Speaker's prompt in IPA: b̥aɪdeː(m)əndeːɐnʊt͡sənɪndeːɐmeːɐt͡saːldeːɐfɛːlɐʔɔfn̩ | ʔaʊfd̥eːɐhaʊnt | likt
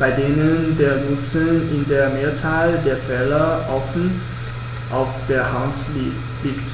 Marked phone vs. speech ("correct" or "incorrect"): incorrect